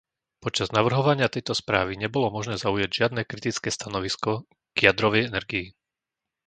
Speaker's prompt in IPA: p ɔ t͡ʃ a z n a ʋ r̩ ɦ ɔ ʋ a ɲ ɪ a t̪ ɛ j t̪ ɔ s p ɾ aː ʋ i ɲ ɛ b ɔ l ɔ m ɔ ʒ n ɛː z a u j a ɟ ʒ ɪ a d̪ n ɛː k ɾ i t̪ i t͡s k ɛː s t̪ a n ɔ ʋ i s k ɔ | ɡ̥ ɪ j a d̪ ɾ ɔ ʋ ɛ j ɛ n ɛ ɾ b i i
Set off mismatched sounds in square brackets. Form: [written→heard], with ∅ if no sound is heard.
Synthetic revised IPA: p ɔ t͡ʃ a z n a ʋ r̩ ɦ ɔ ʋ a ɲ ɪ a t̪ ɛ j t̪ ɔ s p ɾ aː ʋ i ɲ ɛ b ɔ l ɔ m ɔ ʒ n ɛː z a u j a ɟ ʒ ɪ a d̪ n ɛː k ɾ i t̪ i t͡s k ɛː s t̪ a n ɔ ʋ i s k ɔ | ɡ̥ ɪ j a d̪ ɾ ɔ ʋ ɛ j ɛ n ɛ ɾ [b→ɡ] i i